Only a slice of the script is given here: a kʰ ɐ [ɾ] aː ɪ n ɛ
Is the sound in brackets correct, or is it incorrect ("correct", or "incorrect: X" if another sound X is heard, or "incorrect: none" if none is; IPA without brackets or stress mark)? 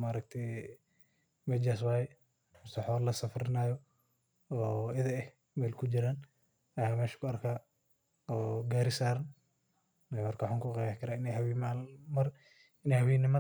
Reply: correct